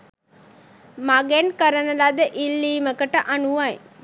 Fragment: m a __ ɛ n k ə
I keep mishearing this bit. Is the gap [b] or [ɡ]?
ɡ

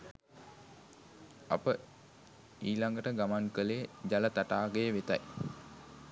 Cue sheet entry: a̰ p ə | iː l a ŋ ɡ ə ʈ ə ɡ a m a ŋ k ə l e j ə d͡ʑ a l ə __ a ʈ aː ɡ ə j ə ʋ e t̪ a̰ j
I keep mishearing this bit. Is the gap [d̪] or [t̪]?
t̪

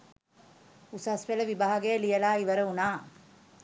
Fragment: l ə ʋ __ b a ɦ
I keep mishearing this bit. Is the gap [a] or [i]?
i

